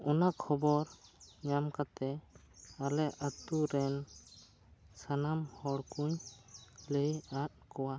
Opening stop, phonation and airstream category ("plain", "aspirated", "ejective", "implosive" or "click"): aspirated